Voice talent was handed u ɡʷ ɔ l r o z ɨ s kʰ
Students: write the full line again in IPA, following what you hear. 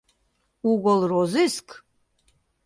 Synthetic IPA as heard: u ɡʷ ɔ l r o z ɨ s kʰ